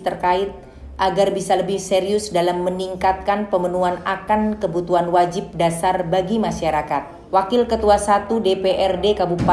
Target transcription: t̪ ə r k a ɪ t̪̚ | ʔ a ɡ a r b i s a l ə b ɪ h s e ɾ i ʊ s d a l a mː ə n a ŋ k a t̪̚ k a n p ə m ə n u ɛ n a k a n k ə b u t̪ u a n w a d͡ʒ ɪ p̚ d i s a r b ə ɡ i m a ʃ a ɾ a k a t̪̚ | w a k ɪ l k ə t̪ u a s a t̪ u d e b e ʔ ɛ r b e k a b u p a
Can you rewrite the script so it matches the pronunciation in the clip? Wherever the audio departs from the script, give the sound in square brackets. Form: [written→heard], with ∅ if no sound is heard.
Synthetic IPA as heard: t̪ ə r k a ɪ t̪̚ | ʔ a ɡ a r b i s a l ə b ɪ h s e ɾ i ʊ s d a l a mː ə n [a→i] ŋ k a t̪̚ k a n p ə m ə n u [ɛ→a] n a k a n k ə b u t̪ u a n w a d͡ʒ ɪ p̚ d [i→a] s a r b [ə→a] ɡ i m a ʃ a ɾ a k a t̪̚ | w a k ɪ l k ə t̪ u a s a t̪ u d e [b→p] e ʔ ɛ r [b→d] e k a b u p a